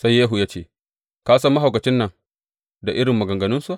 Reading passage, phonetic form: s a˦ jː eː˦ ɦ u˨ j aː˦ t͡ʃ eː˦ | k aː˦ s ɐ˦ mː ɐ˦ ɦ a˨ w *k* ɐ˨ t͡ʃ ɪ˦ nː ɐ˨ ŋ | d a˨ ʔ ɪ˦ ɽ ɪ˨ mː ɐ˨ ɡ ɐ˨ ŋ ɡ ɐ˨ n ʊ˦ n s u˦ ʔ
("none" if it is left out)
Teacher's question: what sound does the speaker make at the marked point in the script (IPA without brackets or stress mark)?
k